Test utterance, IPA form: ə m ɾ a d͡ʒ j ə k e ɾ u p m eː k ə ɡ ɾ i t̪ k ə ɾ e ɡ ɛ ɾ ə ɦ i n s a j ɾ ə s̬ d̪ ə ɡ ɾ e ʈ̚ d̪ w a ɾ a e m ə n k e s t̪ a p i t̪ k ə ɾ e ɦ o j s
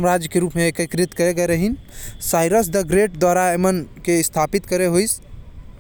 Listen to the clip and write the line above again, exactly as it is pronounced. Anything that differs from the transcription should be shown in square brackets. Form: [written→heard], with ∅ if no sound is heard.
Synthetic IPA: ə m ɾ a d͡ʒ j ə k e ɾ u p m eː k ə [ɡ→k] ɾ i t̪ k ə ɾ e ɡ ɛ ɾ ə ɦ i n s a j ɾ ə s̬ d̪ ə ɡ ɾ e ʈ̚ d̪ w a ɾ a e m ə n k e s [t̪→t̪ʰ] a p i t̪ k ə ɾ e ɦ o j s